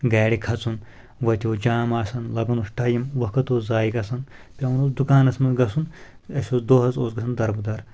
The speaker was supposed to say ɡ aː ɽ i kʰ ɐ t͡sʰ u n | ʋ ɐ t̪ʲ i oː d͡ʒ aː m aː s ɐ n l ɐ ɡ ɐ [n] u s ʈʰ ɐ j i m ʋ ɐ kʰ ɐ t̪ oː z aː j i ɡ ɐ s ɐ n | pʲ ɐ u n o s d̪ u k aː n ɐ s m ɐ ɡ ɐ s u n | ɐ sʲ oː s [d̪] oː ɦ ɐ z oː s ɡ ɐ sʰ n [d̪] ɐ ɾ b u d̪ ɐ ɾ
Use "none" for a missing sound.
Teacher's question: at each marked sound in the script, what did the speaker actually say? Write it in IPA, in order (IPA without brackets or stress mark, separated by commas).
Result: n, d̪, d̪